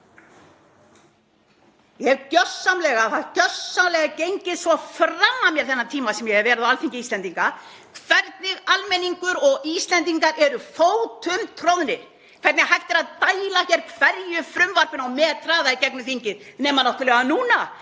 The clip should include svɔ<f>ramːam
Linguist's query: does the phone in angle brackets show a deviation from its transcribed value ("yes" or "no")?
no